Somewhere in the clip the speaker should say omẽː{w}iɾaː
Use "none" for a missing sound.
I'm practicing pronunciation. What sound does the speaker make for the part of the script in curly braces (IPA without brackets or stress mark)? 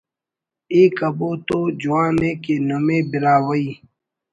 b